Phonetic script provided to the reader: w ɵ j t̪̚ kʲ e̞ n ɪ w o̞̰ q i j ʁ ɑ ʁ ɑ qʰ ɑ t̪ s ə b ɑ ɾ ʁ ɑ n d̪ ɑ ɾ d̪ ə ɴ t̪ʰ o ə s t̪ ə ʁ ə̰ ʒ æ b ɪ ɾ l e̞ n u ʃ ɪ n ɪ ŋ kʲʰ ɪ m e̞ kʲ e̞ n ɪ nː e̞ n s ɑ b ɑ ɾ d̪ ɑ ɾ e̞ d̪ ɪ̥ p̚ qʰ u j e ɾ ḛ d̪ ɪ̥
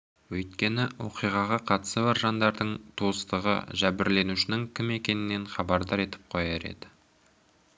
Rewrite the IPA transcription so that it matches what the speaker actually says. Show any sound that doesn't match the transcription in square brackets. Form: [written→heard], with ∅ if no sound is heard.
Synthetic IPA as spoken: w ɵ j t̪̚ kʲ e̞ n ɪ w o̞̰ q i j ʁ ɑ ʁ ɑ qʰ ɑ t̪ s ə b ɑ ɾ [ʁ→ʒ] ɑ n d̪ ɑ ɾ d̪ ə ɴ t̪ʰ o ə s t̪ ə ʁ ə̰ ʒ æ b ɪ ɾ l e̞ n u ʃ ɪ n ɪ ŋ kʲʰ ɪ m e̞ kʲ e̞ n ɪ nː e̞ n [s→χ] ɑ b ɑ ɾ d̪ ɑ ɾ e̞ [d̪→t̪] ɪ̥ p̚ qʰ [u→o] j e ɾ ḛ d̪ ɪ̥